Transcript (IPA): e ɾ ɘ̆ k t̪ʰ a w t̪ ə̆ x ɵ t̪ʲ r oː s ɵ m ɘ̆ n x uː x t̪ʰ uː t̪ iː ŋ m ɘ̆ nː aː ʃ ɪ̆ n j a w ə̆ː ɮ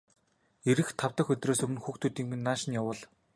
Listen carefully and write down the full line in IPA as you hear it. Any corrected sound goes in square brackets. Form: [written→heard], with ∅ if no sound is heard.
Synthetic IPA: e ɾ ɘ̆ [k→x] t̪ʰ a w t̪ ə̆ x ɵ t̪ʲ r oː s ɵ m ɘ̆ n x uː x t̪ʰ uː t̪ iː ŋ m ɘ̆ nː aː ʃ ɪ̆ n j a w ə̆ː ɮ